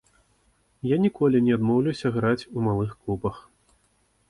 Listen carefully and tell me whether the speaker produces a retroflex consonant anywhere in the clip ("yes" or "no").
no